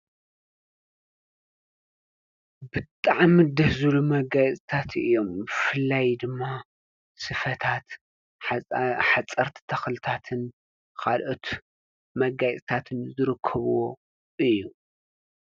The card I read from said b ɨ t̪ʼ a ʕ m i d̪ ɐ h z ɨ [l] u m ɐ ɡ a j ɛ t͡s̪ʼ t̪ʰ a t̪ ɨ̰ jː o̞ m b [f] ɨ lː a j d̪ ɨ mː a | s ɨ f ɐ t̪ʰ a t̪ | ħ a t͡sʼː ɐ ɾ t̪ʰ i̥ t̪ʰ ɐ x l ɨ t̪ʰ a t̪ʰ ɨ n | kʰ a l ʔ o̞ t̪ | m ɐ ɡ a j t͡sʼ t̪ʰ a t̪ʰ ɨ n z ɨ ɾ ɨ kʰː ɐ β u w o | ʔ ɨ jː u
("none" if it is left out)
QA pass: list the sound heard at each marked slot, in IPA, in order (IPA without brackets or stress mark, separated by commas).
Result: l, f